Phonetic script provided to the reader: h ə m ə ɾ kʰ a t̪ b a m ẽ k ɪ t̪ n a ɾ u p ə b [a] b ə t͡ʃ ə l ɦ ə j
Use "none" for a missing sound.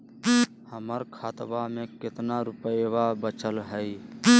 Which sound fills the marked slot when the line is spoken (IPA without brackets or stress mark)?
a